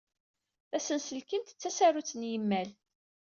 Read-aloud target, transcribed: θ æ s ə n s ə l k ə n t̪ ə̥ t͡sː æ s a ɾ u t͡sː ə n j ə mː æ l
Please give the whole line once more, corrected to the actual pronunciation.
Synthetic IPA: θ æ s ə n s ə l k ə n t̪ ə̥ t͡sː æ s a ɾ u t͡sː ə n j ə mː æ l